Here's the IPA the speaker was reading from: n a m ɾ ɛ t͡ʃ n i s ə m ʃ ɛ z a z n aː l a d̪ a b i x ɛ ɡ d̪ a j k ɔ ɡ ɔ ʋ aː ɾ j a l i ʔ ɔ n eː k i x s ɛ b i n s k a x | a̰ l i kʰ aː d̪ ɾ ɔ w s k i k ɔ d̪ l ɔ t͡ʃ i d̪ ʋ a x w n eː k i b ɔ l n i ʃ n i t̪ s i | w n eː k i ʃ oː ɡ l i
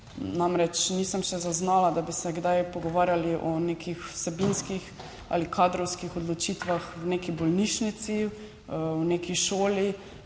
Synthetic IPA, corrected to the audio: n a m ɾ ɛ t͡ʃ n i s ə m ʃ ɛ z a z n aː l a d̪ a b i s ɛ ɡ d̪ a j p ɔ ɡ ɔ ʋ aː ɾ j a l i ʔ ɔ n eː k i x s ɛ b i n s k i x | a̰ l i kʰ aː d̪ ɾ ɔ w s k i x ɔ d̪ l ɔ t͡ʃ i t̪ ʋ a x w n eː k i b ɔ l n i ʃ n i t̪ s i | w n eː k i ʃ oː l i

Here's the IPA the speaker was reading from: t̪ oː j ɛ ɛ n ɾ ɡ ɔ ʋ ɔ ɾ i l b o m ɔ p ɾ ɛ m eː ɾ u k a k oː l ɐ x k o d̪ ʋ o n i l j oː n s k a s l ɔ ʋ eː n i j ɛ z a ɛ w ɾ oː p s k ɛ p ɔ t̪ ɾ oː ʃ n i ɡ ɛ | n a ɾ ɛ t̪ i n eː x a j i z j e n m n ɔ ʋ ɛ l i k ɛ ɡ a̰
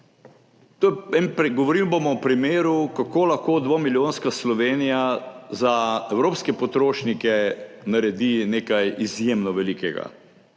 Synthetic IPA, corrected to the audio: t̪ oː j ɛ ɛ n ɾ ɡ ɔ ʋ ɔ ɾ i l b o m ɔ p ɾ i m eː ɾ u k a k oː l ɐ x k o d̪ ʋ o m i l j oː n s k a s l ɔ ʋ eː n i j a z a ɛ w ɾ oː p s k ɛ p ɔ t̪ ɾ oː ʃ n i k ɛ | n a ɾ ɛ d̪ i n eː k a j i z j e m n ɔ ʋ ɛ l i k ɛ ɡ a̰

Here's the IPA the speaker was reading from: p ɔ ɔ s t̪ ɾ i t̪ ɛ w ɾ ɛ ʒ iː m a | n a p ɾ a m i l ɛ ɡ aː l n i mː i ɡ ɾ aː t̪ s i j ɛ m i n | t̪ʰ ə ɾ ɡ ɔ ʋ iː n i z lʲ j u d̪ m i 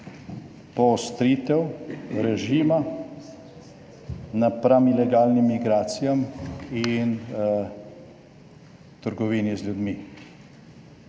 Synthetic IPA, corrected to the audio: p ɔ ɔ s t̪ ɾ i t̪ ɛ w ɾ ɛ ʒ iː m a | n a p ɾ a m i l ɛ ɡ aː l n i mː i ɡ ɾ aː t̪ s i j a m i n | t̪ ə ɾ ɡ ɔ ʋ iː n i z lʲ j u d̪ m i

